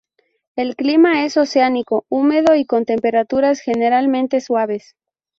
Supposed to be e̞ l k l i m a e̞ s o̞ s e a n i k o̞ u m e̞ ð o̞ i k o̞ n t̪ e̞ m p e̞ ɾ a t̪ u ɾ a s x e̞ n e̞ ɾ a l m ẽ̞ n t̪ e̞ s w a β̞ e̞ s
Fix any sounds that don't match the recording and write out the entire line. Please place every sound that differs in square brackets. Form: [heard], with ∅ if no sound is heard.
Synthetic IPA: e̞ l k l i m a e̞ s o̞ s e a n i k o̞ u m e̞ ð o̞ i k o̞ n t̪ e̞ m p e̞ ɾ a t̪ u ɾ a s x e̞ n e̞ ɾ a l m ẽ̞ n t̪ e̞ s w a β̞ e̞ s